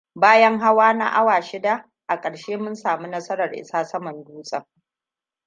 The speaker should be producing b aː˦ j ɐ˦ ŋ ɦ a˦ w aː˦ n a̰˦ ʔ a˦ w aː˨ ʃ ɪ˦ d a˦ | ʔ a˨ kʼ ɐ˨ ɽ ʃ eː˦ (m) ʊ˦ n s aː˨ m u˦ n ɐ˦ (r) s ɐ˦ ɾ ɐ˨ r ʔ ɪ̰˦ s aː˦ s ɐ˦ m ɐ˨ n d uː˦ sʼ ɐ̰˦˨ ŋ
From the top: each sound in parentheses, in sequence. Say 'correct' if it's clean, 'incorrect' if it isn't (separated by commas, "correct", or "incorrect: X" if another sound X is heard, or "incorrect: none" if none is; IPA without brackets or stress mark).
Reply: correct, incorrect: none